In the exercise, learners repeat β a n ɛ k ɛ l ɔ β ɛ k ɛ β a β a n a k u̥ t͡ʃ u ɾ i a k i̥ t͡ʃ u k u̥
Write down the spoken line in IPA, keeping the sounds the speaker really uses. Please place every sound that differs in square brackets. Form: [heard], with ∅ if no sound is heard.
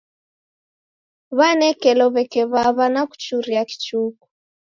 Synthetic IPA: β a n ɛ k ɛ l ɔ β ɛ k ɛ β a β a n a k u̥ t͡ʃ u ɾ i a k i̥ t͡ʃ u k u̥

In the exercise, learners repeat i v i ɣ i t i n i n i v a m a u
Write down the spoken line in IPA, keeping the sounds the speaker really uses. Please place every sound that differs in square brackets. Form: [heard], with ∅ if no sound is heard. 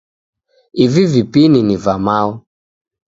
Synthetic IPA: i v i [v] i [p] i n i n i v a m a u

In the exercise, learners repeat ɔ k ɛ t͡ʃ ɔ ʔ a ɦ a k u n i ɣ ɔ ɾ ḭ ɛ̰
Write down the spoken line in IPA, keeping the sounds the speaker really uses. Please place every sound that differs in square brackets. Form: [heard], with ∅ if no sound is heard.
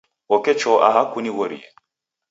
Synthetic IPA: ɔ k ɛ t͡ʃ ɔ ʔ a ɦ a k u n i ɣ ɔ ɾ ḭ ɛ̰

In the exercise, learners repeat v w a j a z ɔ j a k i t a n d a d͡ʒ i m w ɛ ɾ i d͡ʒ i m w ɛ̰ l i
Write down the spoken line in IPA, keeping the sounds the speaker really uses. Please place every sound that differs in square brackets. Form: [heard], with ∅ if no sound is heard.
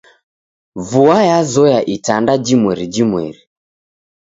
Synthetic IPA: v [u] a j a z ɔ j a [ʔ] i t a n d a d͡ʒ i m w ɛ ɾ i d͡ʒ i m w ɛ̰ [ɾ] i

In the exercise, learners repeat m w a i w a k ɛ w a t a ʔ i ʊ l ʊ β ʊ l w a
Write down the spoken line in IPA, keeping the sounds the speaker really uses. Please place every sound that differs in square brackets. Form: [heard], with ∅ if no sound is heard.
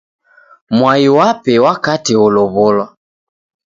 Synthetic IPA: m w a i w a [p] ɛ w a [k] a [t] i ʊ l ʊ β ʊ l w a

